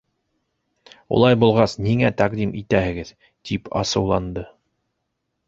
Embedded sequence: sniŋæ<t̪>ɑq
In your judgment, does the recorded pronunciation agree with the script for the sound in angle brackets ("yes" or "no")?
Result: yes